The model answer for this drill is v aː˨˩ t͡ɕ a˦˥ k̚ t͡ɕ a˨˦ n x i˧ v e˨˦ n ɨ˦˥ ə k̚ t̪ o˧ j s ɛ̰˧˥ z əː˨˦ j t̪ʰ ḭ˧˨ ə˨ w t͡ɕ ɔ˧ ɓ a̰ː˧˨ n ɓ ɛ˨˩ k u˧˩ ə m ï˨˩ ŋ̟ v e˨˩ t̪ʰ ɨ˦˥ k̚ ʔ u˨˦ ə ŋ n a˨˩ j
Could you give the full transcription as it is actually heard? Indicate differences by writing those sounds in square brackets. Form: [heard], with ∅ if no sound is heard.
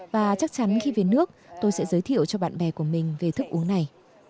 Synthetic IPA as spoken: v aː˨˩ t͡ɕ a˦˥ k̚ t͡ɕ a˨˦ n x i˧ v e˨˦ n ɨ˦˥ ə k̚ t̪ o˧ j s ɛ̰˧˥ z əː˨˦ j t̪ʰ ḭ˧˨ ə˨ w t͡ɕ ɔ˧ ɓ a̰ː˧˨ n ɓ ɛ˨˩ k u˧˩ ə m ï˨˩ ŋ̟ v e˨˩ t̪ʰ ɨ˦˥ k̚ ʔ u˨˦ ə ŋ n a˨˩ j

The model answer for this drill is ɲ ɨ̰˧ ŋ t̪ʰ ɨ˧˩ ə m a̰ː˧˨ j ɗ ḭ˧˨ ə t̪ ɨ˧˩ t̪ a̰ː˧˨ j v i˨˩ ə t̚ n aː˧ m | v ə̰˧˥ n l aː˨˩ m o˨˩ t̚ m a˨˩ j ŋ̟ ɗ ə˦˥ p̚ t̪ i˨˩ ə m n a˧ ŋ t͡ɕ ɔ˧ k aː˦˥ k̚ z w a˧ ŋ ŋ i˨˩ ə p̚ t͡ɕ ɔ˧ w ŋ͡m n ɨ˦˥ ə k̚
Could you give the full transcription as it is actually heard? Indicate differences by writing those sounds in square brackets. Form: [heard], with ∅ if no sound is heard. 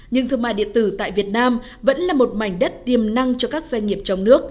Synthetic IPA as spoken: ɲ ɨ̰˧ ŋ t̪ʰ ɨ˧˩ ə m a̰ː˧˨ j ɗ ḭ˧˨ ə t̪ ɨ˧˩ t̪ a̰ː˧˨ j v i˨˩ ə t̚ n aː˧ m | v ə̰˧˥ n l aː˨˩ m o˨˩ t̚ m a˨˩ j ŋ̟ ɗ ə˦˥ [t̚] t̪ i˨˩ ə m n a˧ ŋ t͡ɕ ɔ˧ k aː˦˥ k̚ z w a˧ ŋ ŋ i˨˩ ə p̚ t͡ɕ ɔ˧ w ŋ͡m n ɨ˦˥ ə k̚

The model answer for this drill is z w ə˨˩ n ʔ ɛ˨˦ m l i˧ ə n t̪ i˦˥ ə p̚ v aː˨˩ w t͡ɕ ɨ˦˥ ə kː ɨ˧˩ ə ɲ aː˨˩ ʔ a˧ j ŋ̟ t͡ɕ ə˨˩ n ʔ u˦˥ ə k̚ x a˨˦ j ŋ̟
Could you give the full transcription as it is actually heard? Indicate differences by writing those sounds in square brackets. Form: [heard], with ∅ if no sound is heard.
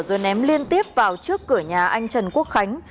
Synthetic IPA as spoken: z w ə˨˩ n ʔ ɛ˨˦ m l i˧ ə n t̪ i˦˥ ə p̚ v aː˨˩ w t͡ɕ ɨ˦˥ ə kː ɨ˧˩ ə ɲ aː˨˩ ʔ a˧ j ŋ̟ t͡ɕ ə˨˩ n [k] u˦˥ ə k̚ x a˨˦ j ŋ̟

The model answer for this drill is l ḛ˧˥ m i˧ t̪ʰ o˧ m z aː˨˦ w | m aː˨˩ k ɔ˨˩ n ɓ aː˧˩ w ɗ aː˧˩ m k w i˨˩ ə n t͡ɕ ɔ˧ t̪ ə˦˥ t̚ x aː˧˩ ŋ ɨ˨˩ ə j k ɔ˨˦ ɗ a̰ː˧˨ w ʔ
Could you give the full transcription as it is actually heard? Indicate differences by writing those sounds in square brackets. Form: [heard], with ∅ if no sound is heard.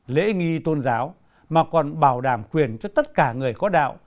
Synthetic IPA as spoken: l ḛ˧˥ [ŋ] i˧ [t̪] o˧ [n] z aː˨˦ w | m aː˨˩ k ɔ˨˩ n ɓ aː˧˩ w ɗ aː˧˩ m k w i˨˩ ə n t͡ɕ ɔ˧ t̪ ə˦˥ t̚ [k] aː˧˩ ŋ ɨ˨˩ ə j k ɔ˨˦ ɗ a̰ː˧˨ w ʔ

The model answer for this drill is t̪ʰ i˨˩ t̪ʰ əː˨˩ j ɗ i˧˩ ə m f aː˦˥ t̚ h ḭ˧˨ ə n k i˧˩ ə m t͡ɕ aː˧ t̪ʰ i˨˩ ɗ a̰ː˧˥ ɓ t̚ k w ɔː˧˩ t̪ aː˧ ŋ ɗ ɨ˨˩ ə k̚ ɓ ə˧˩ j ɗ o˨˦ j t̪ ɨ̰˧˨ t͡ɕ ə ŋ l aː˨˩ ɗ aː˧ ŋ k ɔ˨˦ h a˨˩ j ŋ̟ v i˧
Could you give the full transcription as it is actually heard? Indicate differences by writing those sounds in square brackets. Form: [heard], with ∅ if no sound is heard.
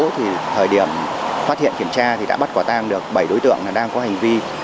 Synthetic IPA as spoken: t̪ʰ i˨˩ t̪ʰ əː˨˩ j ɗ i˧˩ ə m f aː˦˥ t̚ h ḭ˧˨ ə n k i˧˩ ə m t͡ɕ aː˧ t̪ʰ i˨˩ ɗ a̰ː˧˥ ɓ t̚ k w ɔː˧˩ t̪ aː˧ ŋ ɗ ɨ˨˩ ə k̚ ɓ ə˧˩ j ɗ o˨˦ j t̪ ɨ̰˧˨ [∅] ə ŋ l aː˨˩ ɗ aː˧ ŋ k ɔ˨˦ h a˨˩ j ŋ̟ v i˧

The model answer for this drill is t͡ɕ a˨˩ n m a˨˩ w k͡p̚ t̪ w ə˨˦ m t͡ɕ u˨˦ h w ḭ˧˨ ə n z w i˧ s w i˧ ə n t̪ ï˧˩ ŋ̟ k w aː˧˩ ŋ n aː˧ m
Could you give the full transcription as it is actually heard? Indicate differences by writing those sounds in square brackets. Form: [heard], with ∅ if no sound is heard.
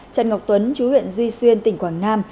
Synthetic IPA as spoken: t͡ɕ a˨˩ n [ŋ] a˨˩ w k͡p̚ t̪ w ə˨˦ [n] t͡ɕ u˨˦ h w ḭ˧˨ ə n z w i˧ s w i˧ ə n t̪ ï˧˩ ŋ̟ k w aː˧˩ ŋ n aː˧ m

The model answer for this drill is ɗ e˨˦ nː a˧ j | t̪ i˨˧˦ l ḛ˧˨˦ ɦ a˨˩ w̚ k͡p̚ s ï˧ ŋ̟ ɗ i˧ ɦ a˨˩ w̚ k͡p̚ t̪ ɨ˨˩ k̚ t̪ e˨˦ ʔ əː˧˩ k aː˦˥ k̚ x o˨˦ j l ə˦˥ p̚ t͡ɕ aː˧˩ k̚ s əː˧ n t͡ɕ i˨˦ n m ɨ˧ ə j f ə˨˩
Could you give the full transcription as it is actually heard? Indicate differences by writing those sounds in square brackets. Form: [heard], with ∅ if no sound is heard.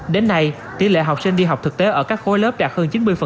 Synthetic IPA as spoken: ɗ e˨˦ nː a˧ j | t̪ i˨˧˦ l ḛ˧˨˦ ɦ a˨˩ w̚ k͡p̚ s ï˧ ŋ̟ ɗ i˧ ɦ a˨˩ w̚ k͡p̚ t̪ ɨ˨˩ k̚ t̪ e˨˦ ʔ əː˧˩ k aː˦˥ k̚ x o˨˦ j l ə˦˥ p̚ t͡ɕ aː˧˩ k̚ [h] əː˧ n t͡ɕ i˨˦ n m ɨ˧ ə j f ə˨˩

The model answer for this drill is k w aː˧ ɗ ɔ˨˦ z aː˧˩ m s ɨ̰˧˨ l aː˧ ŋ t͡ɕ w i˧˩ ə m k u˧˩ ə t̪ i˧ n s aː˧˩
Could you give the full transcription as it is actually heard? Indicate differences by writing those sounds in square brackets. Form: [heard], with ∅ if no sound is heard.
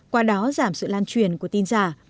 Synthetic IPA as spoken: k w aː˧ ɗ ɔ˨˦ z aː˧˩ m s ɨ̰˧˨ l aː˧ [n] t͡ɕ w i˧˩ ə [n] k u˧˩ ə t̪ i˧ n [z] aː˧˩

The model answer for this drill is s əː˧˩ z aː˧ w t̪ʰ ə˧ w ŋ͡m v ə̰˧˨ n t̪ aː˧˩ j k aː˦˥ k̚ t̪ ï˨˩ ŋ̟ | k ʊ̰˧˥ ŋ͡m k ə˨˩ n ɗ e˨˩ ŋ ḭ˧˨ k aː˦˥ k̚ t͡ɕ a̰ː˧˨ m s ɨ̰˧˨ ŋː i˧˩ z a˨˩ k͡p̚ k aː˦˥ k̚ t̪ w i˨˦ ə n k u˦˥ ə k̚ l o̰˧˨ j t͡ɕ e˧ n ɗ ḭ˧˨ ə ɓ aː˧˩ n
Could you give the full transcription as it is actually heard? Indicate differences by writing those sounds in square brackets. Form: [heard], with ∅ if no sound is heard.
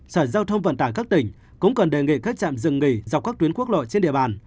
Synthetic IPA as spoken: s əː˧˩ z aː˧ w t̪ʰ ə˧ w ŋ͡m v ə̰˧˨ n t̪ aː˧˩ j k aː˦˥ k̚ t̪ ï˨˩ ŋ̟ | k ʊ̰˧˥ ŋ͡m k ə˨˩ n ɗ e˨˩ ŋ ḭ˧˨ k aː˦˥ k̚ t͡ɕ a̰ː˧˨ m [z] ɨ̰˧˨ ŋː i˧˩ z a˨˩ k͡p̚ k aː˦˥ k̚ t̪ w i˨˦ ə n k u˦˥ ə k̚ l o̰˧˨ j t͡ɕ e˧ n ɗ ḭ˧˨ ə ɓ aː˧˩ n

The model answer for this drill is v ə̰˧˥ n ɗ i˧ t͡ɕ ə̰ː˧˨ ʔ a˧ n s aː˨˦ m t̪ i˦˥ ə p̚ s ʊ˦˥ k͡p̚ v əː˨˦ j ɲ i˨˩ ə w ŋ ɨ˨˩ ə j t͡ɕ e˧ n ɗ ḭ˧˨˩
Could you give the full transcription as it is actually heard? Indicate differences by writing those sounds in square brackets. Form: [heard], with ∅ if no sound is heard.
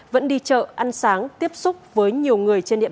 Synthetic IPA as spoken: v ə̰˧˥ n ɗ i˧ t͡ɕ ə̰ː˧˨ ʔ a˧ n s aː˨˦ [ŋ] t̪ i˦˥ ə p̚ s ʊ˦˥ k͡p̚ v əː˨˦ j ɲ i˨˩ ə w ŋ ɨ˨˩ ə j t͡ɕ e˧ n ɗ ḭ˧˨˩

